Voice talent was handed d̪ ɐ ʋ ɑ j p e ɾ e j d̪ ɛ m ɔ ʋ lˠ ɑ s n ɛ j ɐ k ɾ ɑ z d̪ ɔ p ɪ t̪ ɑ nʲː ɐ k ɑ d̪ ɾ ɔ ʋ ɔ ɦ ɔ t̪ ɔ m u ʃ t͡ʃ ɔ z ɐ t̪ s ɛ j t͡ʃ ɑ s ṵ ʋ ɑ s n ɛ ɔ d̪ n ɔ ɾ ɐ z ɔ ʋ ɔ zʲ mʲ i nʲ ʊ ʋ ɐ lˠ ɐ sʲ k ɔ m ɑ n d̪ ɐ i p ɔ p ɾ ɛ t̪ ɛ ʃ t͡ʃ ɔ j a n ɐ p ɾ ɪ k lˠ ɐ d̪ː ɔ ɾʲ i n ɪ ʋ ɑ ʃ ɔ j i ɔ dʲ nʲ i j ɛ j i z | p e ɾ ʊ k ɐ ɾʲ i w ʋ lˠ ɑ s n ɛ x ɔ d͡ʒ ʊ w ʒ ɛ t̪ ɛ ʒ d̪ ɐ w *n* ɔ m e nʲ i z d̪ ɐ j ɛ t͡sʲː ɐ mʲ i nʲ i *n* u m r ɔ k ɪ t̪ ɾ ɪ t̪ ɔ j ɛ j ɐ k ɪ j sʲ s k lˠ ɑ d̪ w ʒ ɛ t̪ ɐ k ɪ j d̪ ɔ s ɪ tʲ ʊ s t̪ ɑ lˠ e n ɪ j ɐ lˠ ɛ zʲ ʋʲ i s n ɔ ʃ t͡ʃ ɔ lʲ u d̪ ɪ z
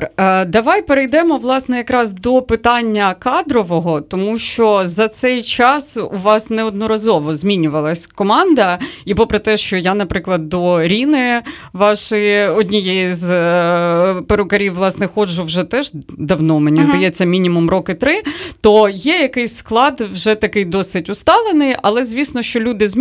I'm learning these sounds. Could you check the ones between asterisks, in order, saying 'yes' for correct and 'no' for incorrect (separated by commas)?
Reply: yes, no